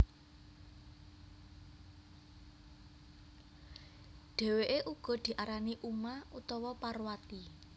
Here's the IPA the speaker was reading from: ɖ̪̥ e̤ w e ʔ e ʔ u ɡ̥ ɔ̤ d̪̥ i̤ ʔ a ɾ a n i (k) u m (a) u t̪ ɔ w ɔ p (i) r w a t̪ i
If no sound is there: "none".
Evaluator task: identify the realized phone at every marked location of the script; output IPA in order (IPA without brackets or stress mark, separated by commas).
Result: ʔ, a, a